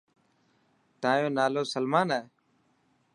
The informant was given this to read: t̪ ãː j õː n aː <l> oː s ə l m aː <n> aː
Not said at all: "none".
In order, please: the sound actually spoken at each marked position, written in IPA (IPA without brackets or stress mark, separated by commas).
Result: l, n